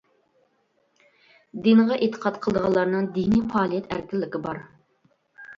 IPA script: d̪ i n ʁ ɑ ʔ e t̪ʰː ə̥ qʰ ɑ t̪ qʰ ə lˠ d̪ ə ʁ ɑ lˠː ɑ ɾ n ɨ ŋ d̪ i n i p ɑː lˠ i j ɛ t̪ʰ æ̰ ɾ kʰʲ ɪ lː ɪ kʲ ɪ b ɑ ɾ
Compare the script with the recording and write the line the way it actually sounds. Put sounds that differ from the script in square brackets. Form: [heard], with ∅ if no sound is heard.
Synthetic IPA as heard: d̪ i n ʁ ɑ ʔ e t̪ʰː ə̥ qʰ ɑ t̪ qʰ ə lˠ d̪ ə ʁ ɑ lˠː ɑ ɾ n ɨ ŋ d̪ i n i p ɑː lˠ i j ɛ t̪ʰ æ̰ ɾ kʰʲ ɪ lː ɪ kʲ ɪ b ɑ ɾ